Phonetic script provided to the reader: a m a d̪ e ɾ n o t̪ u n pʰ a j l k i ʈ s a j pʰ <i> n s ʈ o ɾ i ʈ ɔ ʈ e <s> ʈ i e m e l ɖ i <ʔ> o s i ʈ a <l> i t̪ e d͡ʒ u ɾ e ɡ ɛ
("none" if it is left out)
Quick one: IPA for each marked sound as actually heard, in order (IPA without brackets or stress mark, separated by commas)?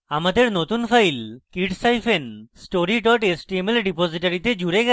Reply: e, s, p, ɾ